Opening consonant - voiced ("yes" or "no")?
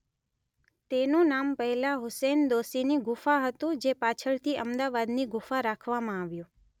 no